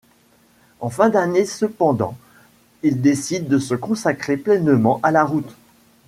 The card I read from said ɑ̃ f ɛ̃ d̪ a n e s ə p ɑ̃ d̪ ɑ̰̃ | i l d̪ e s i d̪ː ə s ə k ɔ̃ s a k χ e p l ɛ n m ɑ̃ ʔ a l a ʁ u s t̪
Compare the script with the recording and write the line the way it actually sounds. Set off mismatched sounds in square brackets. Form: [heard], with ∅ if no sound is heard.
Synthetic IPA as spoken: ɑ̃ f ɛ̃ d̪ a n e s ə p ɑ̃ d̪ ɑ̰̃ | i l d̪ e s i d̪ː ə s ə k ɔ̃ s a k χ e p l ɛ n m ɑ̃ ʔ a l a ʁ u [∅] t̪